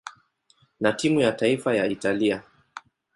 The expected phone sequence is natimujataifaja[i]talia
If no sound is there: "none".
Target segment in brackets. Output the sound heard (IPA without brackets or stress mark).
i